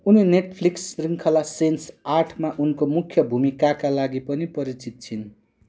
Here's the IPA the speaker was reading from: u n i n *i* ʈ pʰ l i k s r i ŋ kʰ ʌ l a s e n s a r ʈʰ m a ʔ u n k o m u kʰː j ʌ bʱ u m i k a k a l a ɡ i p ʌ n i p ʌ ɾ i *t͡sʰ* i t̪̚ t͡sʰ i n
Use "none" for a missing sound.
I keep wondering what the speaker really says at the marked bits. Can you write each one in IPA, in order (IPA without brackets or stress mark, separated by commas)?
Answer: e, t͡s